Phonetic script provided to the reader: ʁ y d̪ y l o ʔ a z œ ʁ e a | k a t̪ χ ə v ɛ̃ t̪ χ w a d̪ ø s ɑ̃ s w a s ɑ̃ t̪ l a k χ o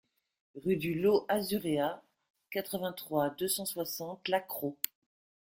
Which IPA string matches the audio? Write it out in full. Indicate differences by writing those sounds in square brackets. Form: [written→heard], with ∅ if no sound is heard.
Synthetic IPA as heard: ʁ y d̪ y l o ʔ a z [œ→y] ʁ e a | k a t̪ χ ə v ɛ̃ t̪ χ w a d̪ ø s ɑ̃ s w a s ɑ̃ t̪ l a k χ o